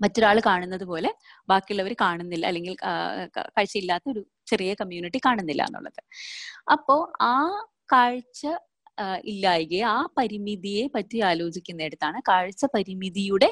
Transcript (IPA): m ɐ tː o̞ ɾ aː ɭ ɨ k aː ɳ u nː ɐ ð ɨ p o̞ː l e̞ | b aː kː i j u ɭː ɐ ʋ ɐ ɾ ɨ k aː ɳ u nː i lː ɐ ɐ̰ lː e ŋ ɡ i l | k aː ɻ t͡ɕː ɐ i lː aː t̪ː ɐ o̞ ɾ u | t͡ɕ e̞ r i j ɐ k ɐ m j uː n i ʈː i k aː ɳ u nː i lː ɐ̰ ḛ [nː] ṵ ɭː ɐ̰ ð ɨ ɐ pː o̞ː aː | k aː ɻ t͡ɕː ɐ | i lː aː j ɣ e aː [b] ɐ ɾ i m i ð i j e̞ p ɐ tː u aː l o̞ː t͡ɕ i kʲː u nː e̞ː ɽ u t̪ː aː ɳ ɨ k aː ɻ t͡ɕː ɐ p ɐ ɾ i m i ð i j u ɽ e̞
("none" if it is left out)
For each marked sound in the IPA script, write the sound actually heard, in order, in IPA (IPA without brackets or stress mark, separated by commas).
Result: nː, p